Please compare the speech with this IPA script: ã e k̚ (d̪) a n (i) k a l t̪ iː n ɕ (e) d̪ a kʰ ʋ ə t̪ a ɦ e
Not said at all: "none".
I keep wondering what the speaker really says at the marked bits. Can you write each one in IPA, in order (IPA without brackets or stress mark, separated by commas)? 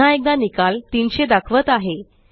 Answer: d̪, i, e